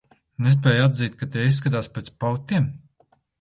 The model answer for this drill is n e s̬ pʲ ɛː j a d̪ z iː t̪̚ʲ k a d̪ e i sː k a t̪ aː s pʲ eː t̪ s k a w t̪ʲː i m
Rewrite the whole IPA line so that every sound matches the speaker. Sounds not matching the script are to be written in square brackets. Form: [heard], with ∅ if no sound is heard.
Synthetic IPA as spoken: n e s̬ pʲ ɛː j a d̪ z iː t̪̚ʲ k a [t̪] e i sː k a t̪ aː s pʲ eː t̪ s [p] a w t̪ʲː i m